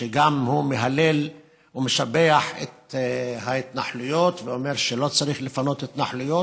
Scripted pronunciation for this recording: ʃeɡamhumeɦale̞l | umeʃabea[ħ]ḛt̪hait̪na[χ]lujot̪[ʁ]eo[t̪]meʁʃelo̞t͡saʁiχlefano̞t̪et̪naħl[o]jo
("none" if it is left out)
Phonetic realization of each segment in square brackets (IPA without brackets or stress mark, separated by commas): ħ, ħ, v, none, u